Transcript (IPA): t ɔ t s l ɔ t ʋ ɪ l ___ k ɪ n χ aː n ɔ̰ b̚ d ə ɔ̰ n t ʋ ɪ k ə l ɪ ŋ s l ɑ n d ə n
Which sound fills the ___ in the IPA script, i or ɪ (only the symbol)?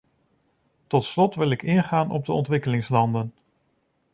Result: ɪ